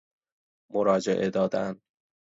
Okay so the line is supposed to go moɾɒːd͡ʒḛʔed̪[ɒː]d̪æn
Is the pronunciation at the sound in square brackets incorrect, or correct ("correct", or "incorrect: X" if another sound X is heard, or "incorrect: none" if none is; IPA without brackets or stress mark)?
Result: correct